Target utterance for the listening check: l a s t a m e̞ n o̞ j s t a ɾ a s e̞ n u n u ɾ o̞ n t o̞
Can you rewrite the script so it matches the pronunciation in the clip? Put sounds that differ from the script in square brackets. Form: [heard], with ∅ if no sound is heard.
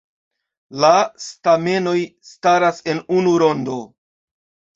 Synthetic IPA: l a s t a m e̞ n o̞ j s t a ɾ a s e̞ n u n u ɾ o̞ n [d] o̞